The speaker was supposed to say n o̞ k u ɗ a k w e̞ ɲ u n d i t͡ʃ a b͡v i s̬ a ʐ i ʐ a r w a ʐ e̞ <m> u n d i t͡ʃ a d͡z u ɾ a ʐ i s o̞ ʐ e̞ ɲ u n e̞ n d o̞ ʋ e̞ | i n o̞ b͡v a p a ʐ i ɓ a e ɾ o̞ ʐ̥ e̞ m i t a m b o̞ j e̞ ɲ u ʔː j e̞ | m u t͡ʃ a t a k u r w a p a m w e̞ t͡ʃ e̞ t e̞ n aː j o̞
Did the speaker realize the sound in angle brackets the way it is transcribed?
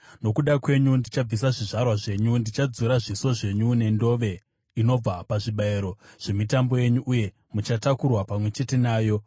no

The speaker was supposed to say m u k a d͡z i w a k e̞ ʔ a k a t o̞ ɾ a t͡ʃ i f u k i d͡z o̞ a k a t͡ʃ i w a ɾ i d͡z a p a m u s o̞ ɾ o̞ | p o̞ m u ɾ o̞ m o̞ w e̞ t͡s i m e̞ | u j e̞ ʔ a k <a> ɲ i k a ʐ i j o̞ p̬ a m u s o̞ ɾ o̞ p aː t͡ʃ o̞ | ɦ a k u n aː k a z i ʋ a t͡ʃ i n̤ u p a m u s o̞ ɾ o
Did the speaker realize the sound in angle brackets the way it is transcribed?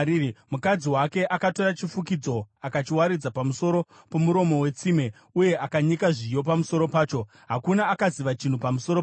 yes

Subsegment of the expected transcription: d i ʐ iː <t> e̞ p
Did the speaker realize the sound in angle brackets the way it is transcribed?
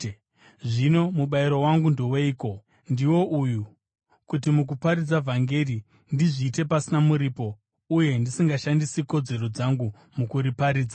yes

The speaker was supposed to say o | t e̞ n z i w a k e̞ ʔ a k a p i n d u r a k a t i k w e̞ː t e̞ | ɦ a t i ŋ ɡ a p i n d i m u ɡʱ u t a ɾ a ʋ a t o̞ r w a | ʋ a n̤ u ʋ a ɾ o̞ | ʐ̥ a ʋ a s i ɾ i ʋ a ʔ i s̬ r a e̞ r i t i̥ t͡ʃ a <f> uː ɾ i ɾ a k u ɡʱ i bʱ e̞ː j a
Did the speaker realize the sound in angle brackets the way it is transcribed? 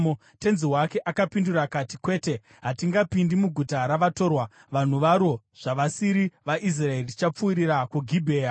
no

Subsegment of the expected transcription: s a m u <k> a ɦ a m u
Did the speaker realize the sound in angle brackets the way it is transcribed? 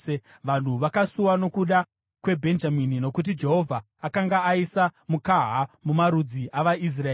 yes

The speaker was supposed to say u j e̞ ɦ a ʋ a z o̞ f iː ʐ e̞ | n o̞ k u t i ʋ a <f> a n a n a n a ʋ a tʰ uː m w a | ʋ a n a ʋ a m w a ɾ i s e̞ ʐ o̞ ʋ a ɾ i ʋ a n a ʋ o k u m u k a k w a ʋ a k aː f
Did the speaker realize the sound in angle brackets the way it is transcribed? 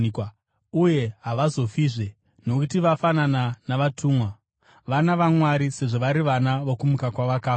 yes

